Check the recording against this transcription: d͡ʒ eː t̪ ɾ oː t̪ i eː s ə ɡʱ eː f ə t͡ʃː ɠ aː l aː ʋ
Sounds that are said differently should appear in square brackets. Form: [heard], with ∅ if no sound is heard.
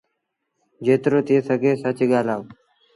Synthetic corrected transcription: d͡ʒ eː t̪ ɾ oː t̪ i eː s ə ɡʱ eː [s] ə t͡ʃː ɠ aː l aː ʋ